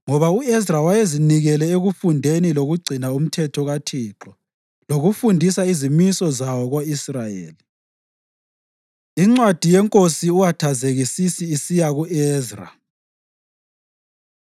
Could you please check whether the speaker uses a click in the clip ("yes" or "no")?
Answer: yes